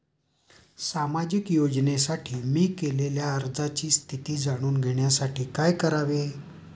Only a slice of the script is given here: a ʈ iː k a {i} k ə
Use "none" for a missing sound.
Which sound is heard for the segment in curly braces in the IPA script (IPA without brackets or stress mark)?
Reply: j